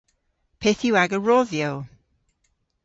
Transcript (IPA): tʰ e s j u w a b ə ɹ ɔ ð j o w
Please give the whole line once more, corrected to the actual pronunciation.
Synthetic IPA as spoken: pʰ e θ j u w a ɡ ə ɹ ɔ ð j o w